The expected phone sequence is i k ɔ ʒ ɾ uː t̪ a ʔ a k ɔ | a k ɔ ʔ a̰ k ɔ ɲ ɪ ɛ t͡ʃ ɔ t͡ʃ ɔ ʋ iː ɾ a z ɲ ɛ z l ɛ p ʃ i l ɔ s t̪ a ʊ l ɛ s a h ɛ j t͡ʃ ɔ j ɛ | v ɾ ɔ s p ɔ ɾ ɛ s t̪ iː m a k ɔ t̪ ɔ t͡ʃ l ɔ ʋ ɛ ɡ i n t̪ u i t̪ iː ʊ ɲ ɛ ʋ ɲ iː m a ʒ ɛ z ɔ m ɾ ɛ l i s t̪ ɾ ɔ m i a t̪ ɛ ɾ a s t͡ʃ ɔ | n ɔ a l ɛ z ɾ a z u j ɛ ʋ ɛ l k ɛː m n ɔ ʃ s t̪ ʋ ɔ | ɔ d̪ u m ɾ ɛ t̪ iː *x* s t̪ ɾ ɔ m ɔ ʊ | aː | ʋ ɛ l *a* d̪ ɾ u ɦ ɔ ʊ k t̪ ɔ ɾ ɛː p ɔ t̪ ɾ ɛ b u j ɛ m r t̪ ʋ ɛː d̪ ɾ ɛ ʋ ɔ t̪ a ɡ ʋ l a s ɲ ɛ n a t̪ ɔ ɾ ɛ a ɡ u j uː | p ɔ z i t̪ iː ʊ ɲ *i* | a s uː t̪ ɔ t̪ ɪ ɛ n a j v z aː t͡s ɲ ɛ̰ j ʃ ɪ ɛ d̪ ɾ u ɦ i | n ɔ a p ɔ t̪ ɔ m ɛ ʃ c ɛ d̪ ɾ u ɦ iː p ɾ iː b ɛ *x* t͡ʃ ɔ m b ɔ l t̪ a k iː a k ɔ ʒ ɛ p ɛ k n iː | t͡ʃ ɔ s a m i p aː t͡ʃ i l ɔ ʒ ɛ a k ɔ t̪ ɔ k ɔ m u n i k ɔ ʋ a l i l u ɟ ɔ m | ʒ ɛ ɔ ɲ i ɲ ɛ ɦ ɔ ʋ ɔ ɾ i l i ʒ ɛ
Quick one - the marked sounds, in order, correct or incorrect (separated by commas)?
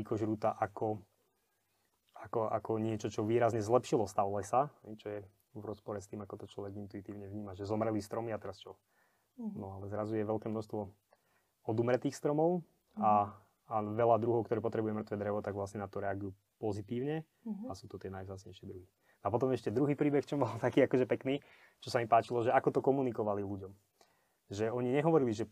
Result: correct, correct, incorrect, correct